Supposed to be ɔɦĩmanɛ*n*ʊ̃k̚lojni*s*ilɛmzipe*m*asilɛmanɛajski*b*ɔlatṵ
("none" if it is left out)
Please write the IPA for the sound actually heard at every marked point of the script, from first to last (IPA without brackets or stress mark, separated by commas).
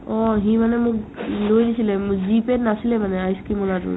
m, s, n, m